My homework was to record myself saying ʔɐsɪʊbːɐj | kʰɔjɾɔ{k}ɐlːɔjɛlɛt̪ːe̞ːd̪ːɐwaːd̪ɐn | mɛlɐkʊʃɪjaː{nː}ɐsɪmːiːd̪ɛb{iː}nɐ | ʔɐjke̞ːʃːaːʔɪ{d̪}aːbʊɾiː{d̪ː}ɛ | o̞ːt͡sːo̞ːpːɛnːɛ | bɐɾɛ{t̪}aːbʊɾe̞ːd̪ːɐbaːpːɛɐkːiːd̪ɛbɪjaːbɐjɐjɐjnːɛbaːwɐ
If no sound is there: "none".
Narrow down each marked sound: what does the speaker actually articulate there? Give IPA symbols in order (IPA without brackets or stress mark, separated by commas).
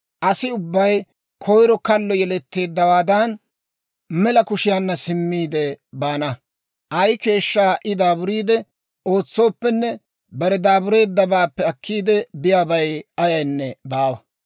k, nː, aː, d̪, d̪, d̪